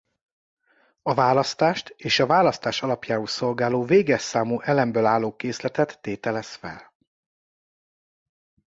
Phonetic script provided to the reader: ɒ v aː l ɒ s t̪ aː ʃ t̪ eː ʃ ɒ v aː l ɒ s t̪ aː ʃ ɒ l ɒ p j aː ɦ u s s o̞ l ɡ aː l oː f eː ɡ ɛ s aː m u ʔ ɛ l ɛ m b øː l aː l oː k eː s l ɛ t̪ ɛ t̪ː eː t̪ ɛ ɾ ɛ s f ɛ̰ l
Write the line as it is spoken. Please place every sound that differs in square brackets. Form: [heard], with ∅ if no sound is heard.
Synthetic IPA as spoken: ɒ v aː l ɒ s t̪ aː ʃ t̪ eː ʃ ɒ v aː l ɒ s t̪ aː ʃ ɒ l ɒ p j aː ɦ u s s o̞ l ɡ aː l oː [v] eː ɡ ɛ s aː m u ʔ ɛ l ɛ m b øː l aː l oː k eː s l ɛ t̪ ɛ t̪ː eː t̪ ɛ [l] ɛ s f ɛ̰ l